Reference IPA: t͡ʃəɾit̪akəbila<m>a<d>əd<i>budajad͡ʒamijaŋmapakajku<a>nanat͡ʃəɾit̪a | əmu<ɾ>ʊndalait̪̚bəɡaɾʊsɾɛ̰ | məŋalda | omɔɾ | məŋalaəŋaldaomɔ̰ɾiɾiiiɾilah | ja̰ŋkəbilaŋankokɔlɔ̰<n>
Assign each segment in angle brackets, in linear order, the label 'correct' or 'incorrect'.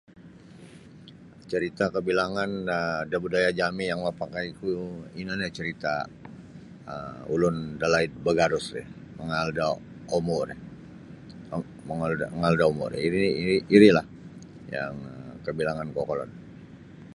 incorrect, incorrect, incorrect, incorrect, incorrect, correct

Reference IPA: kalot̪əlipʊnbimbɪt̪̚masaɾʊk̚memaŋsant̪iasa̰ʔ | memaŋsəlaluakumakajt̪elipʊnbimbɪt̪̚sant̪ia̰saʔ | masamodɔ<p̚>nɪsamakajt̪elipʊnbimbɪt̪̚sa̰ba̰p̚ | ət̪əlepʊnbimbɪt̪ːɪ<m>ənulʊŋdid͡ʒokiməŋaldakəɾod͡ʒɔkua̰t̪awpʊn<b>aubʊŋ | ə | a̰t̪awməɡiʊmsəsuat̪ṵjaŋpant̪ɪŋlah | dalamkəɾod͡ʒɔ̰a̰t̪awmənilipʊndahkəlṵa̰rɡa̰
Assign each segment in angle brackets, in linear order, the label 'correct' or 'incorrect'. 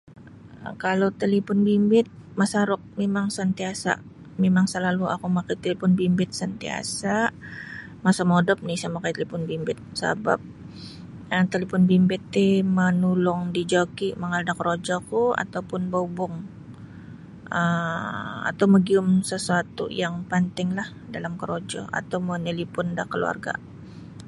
correct, correct, correct

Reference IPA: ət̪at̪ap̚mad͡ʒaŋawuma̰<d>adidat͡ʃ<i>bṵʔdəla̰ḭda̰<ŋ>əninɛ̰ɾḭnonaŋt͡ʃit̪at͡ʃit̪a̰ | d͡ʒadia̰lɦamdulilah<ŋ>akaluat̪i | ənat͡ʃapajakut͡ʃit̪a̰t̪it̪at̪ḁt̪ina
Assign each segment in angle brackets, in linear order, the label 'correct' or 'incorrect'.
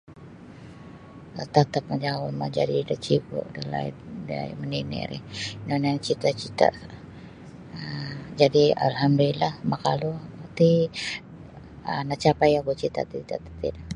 incorrect, correct, incorrect, incorrect

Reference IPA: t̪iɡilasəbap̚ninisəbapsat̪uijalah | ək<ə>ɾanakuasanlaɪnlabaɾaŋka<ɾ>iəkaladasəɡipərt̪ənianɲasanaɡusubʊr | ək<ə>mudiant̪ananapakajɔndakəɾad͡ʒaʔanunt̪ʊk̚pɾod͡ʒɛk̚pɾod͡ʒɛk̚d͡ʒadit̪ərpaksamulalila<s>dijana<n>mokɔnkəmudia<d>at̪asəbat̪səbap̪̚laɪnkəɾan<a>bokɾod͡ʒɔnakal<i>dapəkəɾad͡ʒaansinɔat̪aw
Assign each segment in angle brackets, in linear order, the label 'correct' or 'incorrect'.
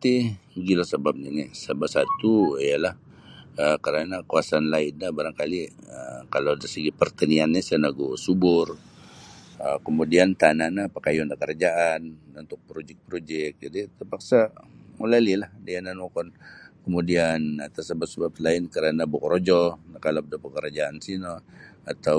correct, incorrect, correct, incorrect, correct, incorrect, correct, incorrect

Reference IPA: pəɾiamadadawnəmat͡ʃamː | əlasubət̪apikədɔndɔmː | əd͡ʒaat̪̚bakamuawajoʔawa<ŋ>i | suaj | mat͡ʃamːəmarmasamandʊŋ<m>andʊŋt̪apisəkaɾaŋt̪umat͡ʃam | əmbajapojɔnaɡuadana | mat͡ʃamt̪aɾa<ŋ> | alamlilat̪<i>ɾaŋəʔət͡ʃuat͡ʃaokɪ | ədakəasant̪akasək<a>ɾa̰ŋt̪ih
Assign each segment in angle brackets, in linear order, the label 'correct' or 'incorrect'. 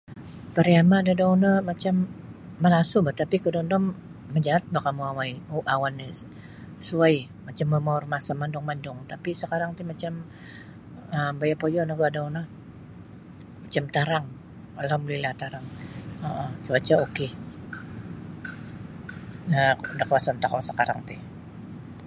incorrect, correct, correct, incorrect, correct

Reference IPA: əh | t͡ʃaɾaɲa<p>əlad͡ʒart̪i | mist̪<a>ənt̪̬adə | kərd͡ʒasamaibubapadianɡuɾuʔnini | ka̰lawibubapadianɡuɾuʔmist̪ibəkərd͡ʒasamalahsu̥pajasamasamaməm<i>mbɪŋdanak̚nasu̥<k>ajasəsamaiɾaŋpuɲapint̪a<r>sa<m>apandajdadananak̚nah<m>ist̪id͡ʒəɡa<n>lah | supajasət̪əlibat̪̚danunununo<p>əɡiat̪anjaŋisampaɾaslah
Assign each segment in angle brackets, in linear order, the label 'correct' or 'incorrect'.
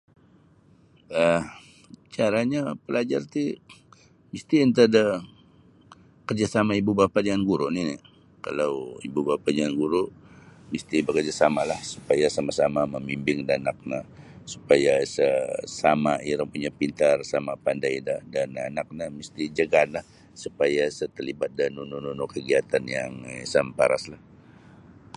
correct, incorrect, correct, incorrect, correct, correct, correct, correct, incorrect

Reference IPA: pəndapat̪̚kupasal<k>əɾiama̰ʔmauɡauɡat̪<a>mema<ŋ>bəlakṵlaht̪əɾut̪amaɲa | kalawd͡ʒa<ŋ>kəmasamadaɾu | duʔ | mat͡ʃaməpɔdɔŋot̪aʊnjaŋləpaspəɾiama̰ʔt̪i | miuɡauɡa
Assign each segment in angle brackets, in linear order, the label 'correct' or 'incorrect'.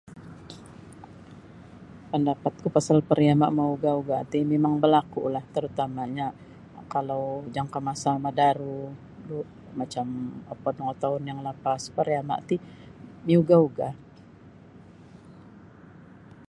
incorrect, incorrect, correct, correct

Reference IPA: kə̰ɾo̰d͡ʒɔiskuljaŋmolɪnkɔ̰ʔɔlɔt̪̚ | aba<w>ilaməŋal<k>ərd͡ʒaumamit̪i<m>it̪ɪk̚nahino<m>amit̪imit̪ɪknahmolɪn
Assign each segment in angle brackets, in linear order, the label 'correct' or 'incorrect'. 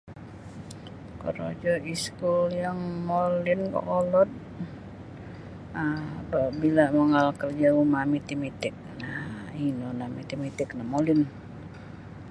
incorrect, correct, correct, incorrect

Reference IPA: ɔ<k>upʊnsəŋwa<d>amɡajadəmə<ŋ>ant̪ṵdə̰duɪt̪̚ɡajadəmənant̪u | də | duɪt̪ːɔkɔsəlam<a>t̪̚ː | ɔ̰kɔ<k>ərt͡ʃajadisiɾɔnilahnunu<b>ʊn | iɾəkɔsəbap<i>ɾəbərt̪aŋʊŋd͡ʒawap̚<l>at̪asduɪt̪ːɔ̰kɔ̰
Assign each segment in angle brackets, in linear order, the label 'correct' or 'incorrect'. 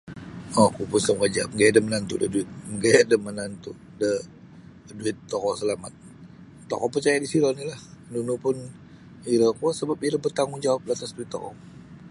correct, incorrect, incorrect, correct, incorrect, incorrect, correct, correct

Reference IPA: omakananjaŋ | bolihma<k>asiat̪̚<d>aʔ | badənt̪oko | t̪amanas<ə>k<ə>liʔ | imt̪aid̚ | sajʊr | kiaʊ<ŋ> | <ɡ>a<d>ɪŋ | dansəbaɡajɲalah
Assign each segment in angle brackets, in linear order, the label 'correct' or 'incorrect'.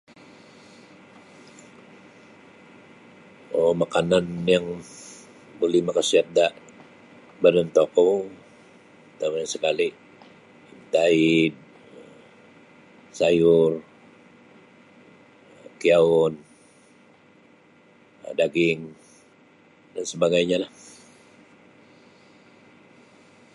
correct, correct, correct, incorrect, incorrect, incorrect, incorrect

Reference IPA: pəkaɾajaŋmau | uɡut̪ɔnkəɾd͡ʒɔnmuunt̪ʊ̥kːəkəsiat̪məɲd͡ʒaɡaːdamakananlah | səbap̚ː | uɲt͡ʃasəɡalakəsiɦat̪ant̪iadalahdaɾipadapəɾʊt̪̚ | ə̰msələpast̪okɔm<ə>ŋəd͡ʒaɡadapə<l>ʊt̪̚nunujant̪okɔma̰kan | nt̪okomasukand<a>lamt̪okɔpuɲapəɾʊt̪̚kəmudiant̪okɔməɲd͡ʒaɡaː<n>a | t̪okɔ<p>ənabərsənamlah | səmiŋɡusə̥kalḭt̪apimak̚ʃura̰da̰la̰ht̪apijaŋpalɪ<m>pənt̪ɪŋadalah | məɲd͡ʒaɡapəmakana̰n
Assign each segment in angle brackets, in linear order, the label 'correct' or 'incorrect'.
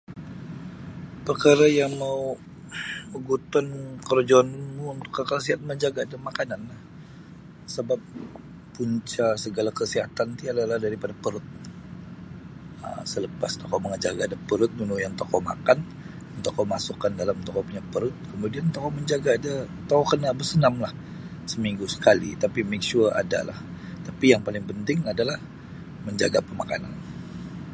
correct, incorrect, correct, incorrect, incorrect, incorrect

